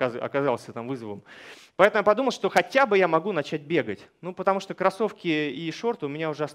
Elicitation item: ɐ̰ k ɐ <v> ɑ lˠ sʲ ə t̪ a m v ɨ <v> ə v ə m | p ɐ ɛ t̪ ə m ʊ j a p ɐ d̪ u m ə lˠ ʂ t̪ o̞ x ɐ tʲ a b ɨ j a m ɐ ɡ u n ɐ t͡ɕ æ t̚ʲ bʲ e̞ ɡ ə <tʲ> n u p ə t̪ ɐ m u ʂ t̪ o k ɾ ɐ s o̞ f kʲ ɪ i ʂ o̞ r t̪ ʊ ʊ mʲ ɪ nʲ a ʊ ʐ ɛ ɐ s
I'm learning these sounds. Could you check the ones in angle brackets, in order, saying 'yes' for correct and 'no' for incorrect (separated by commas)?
no, no, yes